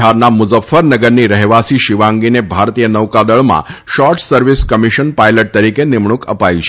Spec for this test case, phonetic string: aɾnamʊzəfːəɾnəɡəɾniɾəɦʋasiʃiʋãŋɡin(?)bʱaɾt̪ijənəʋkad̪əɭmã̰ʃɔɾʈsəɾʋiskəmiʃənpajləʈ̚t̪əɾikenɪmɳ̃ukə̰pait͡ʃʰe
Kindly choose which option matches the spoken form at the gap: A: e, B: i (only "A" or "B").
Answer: A